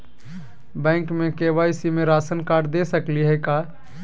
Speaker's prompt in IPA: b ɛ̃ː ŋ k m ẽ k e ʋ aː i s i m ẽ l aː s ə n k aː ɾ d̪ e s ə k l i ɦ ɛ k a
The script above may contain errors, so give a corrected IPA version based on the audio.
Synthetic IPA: b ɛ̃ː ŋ k m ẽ k e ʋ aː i s i m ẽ ɾ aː s ə n k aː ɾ d̪ e s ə k l i ɦ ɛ k a